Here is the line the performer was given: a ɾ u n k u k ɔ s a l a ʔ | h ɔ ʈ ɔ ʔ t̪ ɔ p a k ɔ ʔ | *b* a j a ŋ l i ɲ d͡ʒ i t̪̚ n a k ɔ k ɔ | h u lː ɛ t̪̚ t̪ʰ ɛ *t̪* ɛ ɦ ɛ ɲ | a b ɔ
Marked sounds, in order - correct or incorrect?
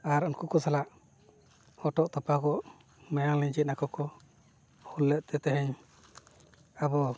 incorrect: m, correct

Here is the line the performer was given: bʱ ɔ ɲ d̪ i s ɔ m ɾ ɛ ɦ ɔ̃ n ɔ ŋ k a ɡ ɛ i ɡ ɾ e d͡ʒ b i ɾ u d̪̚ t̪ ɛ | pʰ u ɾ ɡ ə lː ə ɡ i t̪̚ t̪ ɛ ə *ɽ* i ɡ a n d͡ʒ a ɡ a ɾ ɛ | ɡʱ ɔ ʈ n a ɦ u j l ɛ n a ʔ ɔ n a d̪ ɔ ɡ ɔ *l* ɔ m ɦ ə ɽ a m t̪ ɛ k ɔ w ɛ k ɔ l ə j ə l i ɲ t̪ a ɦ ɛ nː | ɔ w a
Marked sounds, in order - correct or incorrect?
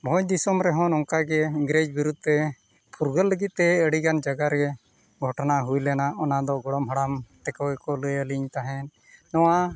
correct, incorrect: ɽ

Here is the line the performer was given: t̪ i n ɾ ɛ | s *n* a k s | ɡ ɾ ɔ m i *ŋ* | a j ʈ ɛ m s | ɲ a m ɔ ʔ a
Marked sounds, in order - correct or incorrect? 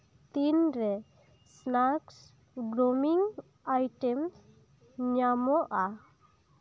correct, correct

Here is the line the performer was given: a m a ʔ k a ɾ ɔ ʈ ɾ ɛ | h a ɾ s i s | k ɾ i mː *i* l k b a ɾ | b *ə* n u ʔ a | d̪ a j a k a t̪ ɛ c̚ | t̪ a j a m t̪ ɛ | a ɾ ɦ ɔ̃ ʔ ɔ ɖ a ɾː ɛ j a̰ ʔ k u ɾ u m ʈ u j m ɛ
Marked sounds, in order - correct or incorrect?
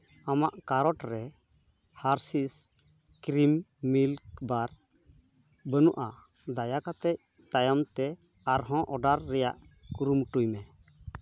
correct, correct

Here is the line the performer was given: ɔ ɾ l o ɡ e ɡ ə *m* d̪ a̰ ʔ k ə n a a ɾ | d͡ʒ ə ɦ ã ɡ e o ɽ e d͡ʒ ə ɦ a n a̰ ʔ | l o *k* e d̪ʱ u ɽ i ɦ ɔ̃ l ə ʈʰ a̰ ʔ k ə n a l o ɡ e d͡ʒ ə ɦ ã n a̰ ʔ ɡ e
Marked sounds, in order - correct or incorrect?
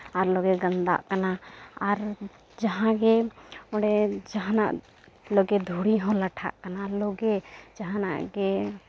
incorrect: n, incorrect: ɡ

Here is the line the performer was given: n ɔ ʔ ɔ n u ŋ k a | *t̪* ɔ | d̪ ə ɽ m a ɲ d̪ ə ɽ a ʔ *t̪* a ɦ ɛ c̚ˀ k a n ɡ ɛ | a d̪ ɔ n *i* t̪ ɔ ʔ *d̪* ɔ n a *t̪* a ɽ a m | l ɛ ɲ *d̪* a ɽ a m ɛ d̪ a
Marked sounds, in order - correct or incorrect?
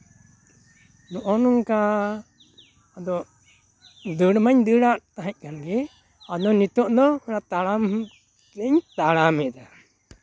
incorrect: d̪, correct, correct, correct, correct, incorrect: t̪

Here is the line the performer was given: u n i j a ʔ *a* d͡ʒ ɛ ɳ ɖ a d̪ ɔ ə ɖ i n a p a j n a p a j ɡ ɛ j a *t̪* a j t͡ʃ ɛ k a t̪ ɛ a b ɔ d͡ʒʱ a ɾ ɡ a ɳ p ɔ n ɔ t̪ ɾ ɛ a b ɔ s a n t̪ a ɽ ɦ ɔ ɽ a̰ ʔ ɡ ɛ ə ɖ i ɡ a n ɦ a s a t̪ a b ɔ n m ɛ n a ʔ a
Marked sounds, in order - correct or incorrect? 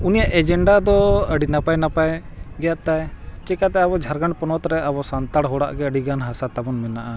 incorrect: ɛ, correct

